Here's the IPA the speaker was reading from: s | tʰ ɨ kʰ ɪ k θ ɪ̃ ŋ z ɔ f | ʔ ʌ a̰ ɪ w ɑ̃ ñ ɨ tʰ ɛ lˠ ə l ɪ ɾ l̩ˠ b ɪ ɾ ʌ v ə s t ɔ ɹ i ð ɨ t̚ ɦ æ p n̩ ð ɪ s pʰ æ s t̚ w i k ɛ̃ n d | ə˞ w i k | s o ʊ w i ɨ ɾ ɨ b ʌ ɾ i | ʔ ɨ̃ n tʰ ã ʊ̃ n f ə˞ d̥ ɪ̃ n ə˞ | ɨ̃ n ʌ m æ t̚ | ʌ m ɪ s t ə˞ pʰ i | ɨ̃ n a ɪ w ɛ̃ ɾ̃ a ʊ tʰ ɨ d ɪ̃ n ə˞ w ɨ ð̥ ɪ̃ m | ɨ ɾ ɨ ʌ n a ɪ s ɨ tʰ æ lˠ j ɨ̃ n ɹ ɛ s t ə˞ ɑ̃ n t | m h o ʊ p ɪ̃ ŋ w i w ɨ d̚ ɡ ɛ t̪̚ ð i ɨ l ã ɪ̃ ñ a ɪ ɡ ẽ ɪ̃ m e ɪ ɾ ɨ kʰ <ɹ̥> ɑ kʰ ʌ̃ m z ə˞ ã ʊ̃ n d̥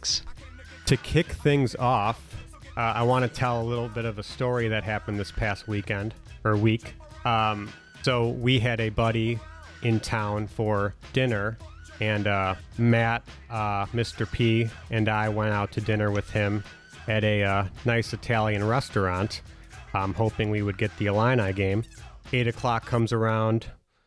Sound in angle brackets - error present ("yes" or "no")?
yes